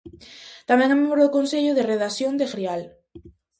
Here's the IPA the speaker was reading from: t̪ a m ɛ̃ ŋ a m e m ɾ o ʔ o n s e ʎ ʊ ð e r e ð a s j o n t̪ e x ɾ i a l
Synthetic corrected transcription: t̪ a m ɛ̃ ŋ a m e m ɾ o k o n s e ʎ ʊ ð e r e ð a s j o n d̪ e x ɾ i a l